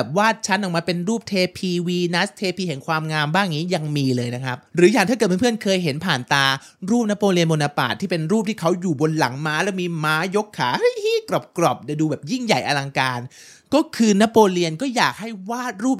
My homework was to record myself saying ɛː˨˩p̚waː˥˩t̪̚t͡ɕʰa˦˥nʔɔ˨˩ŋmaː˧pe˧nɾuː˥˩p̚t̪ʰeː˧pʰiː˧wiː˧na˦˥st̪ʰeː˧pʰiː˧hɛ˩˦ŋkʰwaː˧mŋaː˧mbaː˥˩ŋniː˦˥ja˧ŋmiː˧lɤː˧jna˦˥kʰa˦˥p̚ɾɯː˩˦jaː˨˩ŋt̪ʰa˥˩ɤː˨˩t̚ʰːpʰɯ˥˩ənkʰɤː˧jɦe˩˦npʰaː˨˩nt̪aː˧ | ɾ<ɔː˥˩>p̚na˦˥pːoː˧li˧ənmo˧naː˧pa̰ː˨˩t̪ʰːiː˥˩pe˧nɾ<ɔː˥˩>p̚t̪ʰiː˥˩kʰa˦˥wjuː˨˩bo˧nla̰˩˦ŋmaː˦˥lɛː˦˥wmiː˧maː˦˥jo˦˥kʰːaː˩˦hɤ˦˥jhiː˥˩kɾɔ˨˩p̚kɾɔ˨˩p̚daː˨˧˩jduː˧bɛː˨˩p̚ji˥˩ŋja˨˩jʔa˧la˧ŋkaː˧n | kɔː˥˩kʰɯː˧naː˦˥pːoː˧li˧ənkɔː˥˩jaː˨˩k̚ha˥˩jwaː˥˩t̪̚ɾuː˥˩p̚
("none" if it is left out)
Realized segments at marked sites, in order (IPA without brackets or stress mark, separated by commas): uː˥˩, uː˥˩